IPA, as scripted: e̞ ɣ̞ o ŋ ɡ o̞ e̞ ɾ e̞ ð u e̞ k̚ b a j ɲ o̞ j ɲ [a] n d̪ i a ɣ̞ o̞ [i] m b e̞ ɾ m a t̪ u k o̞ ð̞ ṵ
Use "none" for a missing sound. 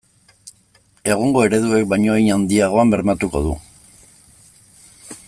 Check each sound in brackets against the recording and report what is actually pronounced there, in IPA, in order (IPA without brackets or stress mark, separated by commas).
a, a